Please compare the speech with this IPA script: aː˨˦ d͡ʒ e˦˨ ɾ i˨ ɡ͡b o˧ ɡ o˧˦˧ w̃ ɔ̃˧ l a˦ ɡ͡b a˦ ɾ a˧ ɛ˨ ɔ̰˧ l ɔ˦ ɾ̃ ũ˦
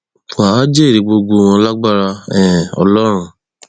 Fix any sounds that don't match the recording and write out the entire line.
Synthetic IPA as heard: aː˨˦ d͡ʒ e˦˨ ɾ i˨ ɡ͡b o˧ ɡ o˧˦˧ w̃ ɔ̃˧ l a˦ ɡ͡b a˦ ɾ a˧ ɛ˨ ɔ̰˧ l ɔ˦ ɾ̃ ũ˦